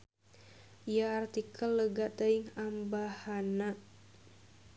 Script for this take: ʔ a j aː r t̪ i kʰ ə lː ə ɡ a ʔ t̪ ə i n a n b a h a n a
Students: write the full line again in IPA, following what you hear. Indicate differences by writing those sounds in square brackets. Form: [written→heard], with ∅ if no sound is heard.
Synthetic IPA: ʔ [a→i] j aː r t̪ i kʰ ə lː ə ɡ a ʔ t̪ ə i [n→ŋ] a [n→m] b a h a n a